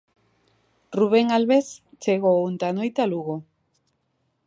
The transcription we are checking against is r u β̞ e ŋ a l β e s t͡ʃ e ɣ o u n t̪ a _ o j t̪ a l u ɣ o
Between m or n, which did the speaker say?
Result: n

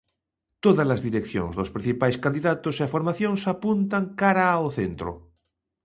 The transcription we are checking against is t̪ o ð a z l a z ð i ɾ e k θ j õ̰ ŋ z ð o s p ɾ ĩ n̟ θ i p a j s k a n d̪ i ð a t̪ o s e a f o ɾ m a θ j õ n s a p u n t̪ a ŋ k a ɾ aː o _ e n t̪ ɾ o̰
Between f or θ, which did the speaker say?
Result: θ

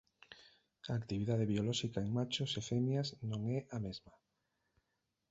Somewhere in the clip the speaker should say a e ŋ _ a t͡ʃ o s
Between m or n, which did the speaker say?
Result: m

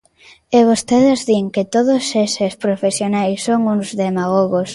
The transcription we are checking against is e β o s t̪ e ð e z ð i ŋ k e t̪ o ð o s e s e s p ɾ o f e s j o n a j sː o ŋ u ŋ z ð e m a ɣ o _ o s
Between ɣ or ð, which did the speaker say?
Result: ɣ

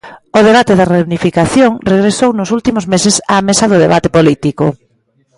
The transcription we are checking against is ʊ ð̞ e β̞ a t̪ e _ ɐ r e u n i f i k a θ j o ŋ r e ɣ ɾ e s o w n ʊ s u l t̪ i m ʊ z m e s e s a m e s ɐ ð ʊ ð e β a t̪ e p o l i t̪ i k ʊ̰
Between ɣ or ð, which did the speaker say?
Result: ð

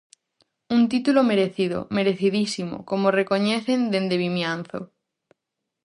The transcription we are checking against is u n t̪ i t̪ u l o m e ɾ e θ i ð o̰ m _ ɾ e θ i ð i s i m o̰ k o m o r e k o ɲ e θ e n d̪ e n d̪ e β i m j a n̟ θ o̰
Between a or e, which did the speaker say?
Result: e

